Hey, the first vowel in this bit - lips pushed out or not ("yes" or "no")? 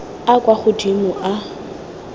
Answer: no